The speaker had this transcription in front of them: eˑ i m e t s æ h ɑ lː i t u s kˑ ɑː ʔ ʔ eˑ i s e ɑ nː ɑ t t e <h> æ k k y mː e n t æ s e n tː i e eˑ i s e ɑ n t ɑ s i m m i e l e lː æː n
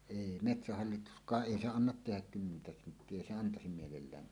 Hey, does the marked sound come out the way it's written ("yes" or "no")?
yes